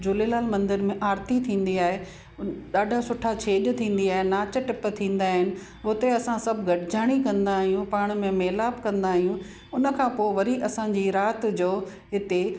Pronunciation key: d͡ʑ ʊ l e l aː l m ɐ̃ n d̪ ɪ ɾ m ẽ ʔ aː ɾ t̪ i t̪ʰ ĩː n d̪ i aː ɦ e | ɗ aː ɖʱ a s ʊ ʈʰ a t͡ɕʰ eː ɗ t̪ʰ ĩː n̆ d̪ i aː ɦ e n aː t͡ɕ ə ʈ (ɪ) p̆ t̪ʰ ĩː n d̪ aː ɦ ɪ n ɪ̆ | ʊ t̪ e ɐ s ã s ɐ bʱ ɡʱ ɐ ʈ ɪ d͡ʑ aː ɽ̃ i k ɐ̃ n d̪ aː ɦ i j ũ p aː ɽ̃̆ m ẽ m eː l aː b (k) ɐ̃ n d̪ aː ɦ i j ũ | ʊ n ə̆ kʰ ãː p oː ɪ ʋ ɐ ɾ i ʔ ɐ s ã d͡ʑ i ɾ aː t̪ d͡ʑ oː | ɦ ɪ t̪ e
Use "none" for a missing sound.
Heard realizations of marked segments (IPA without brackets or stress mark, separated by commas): ɪ, k